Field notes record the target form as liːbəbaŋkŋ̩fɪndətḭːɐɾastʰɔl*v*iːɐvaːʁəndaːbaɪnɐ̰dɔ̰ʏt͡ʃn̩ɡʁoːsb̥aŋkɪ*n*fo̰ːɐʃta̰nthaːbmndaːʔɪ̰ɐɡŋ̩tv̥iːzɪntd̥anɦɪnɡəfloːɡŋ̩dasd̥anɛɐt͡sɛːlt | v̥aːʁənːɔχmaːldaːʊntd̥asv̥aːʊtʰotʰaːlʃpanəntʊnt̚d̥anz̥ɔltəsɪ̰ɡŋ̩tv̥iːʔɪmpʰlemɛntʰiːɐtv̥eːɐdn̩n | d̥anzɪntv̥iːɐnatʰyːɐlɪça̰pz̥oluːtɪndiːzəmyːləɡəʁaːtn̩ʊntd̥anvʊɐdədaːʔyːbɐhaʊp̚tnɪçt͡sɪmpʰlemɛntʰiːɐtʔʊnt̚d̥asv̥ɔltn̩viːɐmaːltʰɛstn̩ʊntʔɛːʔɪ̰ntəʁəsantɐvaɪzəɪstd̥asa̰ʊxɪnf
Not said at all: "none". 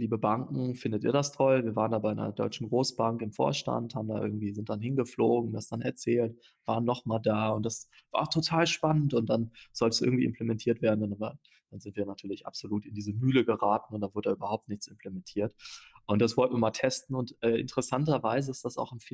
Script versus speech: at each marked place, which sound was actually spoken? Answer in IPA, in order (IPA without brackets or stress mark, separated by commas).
v, m